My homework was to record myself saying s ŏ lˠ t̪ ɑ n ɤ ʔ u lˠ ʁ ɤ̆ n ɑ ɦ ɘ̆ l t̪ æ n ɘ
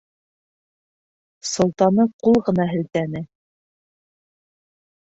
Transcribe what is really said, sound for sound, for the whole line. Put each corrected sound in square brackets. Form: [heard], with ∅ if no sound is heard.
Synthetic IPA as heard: s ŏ lˠ t̪ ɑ n ɤ [q] u lˠ ʁ ɤ̆ n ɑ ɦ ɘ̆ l t̪ æ n ɘ